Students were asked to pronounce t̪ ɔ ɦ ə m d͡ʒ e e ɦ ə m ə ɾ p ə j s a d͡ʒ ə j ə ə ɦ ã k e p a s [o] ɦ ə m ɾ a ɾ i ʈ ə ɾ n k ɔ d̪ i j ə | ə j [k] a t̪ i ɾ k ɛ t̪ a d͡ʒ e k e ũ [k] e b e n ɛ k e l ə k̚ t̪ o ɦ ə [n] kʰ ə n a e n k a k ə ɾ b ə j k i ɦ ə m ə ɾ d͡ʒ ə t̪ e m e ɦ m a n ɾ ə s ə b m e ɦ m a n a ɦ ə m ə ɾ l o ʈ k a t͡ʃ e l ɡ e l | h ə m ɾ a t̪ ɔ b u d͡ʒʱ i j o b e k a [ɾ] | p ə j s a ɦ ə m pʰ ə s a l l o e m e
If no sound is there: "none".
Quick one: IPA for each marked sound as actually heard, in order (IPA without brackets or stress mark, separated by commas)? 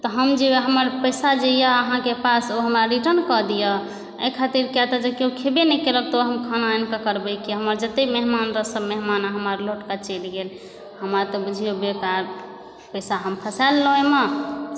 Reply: o, kʰ, kʰ, m, ɾ